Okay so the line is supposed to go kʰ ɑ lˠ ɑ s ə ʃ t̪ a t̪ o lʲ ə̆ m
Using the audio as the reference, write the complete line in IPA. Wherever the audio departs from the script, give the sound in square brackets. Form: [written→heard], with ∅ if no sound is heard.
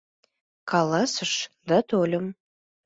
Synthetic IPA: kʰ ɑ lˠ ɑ s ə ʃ [t̪→d̪] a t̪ o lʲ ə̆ m